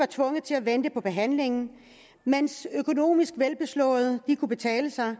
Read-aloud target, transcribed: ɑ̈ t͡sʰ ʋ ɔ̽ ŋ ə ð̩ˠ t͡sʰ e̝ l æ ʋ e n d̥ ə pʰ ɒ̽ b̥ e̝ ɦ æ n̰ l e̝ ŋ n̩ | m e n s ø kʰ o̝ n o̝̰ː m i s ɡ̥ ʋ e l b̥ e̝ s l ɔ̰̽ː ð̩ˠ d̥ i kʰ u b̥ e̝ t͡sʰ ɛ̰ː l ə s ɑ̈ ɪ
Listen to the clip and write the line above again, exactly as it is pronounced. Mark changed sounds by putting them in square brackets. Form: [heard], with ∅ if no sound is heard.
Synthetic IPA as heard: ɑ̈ t͡sʰ ʋ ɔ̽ ŋ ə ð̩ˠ t͡sʰ e̝ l æ ʋ e n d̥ ə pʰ ɒ̽ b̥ e̝ ɦ æ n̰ l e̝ ŋ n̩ | m e n s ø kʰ o̝ n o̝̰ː m i s ɡ̥ ʋ e l b̥ e̝ s l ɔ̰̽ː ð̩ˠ d̥ i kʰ u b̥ e̝ t͡sʰ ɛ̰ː l ə s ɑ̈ ɪ